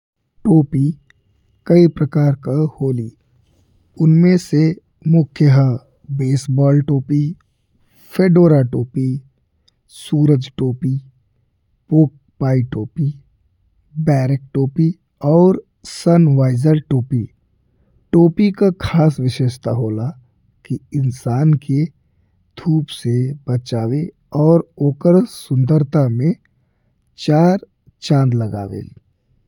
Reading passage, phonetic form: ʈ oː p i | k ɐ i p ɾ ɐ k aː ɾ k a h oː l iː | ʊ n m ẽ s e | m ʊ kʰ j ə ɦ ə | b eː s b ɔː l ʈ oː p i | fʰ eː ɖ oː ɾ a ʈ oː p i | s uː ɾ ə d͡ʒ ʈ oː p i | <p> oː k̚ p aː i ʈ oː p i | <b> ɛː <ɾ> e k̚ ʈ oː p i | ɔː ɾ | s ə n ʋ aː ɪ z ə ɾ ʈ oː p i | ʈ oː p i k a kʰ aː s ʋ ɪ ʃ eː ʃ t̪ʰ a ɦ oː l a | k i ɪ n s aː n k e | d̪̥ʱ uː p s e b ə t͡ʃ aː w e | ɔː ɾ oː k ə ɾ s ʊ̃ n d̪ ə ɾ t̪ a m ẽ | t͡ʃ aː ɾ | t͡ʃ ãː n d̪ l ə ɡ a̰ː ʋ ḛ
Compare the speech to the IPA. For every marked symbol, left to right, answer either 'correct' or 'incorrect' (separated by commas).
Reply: correct, correct, correct